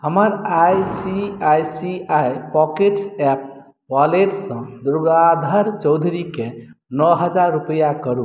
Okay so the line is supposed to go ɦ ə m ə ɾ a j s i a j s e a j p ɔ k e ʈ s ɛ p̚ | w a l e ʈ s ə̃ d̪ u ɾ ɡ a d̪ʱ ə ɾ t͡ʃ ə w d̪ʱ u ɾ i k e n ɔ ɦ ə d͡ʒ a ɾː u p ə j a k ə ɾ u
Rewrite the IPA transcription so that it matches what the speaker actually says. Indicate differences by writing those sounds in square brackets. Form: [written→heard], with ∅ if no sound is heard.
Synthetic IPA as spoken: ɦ ə m ə ɾ a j s i a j s [e→i] a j p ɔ k e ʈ s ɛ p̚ | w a l e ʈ s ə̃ d̪ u ɾ ɡ a d̪ʱ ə ɾ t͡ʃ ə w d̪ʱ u ɾ i k e n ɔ ɦ ə d͡ʒ a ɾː u p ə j a k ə ɾ u